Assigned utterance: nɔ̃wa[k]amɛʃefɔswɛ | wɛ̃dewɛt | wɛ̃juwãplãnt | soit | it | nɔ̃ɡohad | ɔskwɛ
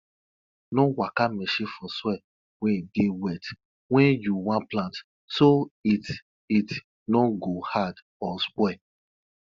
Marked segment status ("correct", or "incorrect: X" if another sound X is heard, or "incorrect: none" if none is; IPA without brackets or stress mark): correct